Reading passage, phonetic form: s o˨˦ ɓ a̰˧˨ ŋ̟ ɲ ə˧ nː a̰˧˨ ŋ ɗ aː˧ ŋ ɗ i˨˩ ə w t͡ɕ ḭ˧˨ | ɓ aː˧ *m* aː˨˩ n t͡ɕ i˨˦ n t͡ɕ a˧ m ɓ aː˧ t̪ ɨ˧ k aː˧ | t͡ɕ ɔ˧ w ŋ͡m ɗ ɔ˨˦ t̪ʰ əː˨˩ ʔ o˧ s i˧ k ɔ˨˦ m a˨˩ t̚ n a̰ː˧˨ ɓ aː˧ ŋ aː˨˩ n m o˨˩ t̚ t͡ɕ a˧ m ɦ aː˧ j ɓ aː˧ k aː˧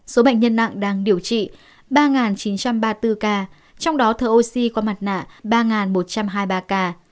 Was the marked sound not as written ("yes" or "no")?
yes